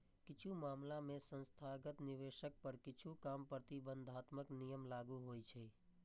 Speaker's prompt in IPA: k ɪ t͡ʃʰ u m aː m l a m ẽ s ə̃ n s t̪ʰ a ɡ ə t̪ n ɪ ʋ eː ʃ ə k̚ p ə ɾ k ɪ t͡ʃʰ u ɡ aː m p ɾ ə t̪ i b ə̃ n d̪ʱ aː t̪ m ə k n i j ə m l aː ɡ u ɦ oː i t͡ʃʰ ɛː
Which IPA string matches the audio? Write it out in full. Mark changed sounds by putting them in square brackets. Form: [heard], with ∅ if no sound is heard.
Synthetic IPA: k ɪ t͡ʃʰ u m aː m l a m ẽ s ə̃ n s t̪ʰ a ɡ ə t̪ n ɪ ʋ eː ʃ ə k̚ p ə ɾ k ɪ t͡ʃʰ u [k] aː m p ɾ ə t̪ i b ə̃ n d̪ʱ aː t̪ m ə k n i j ə m l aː ɡ u ɦ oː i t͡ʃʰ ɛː